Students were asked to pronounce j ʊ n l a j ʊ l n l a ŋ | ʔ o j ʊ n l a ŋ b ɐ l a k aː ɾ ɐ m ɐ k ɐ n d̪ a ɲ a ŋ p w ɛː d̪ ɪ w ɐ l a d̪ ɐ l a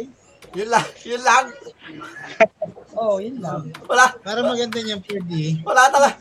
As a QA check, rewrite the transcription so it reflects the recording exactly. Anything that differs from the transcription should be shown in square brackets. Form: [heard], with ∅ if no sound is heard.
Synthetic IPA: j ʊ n l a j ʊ [∅] n l a ŋ | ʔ o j ʊ n l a ŋ [w] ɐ l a [p] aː ɾ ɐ m ɐ [ɡ] ɐ n d̪ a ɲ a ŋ p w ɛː d̪ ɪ w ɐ l a [t̪] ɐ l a